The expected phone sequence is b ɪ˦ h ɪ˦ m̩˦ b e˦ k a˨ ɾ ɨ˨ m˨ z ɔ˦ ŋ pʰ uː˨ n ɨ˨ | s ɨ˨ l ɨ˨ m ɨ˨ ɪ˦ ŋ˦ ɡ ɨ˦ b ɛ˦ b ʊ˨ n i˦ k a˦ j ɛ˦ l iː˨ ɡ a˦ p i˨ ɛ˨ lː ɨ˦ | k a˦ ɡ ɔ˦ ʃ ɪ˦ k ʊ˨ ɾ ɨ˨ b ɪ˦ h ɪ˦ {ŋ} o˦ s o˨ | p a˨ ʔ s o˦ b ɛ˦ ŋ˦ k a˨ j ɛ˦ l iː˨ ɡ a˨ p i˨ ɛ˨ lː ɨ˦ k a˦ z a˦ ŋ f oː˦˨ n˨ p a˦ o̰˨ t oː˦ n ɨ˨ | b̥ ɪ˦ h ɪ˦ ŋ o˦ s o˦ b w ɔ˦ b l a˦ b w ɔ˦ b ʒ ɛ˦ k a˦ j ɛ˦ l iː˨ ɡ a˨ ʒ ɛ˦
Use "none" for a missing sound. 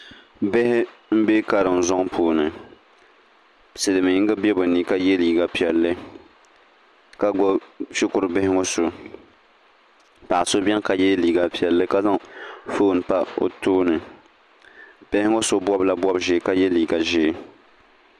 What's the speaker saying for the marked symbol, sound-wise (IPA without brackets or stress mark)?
ŋ